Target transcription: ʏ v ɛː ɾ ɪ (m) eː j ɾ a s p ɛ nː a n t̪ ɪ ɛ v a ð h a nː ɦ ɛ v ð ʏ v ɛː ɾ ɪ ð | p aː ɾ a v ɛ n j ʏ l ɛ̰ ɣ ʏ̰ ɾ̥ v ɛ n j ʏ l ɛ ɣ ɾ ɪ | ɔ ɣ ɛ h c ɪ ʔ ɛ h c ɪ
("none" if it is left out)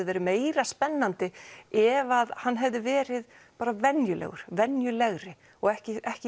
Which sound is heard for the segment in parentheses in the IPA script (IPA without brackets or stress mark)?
m